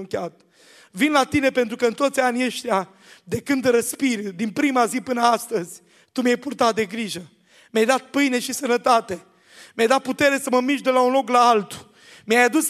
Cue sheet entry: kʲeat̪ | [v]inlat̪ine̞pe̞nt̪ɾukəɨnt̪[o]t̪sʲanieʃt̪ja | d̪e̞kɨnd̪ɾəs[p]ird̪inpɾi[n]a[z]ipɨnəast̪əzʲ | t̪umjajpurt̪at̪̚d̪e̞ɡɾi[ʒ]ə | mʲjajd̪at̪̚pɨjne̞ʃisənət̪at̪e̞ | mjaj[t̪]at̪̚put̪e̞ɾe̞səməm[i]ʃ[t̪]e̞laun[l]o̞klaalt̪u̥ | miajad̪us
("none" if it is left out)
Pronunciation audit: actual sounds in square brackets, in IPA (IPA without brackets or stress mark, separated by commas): v, o, p, m, z, ʒ, d̪, i, d̪, l